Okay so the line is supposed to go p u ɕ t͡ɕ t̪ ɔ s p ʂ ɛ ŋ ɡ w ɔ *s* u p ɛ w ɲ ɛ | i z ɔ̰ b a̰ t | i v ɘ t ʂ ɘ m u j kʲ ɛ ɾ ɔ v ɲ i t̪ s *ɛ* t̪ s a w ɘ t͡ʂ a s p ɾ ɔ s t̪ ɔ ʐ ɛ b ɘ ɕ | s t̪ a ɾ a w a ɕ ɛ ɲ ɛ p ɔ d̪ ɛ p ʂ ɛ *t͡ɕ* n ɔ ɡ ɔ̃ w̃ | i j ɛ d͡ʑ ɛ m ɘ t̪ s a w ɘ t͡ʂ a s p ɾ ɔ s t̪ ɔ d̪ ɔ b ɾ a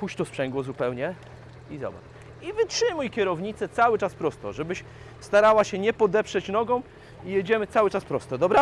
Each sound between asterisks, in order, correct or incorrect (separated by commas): incorrect, correct, correct